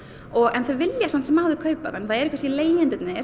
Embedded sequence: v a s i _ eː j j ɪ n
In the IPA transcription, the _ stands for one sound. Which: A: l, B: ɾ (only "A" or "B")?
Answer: A